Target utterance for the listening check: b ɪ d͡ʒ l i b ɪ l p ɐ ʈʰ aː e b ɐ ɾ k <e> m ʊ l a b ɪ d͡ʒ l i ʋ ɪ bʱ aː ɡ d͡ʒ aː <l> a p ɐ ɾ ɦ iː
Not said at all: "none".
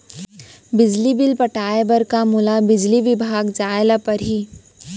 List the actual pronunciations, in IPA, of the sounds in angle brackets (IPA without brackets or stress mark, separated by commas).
a, l